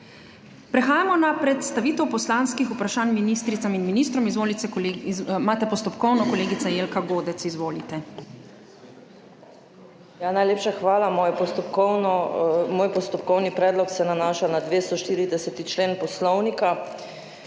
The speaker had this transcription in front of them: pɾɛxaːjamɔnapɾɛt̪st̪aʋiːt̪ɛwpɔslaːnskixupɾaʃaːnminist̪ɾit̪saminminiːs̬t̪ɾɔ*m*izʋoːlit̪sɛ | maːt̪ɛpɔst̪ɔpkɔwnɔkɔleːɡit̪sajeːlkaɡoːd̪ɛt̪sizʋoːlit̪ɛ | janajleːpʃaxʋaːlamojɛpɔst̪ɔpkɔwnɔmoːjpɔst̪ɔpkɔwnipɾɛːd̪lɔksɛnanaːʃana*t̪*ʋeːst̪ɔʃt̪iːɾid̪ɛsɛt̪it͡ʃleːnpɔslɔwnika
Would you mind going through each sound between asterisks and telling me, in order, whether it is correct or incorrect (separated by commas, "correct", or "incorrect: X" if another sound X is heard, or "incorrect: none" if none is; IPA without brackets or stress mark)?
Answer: correct, incorrect: d̪